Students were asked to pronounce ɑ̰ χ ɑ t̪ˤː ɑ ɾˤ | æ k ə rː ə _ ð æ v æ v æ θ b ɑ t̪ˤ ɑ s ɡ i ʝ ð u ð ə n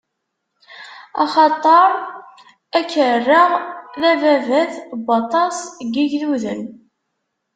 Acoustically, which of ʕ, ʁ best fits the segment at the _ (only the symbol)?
ʁ